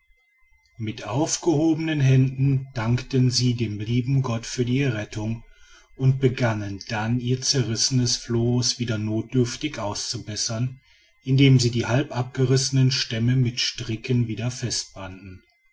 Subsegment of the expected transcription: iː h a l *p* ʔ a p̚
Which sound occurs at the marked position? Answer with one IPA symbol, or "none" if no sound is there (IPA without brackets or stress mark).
p